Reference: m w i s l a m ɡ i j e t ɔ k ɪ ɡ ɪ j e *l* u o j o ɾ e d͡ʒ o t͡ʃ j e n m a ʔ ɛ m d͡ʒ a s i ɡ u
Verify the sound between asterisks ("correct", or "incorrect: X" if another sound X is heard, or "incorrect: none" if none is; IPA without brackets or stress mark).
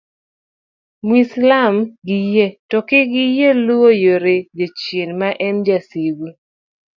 correct